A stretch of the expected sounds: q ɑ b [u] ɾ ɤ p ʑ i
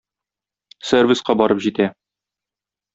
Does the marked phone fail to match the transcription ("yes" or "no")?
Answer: yes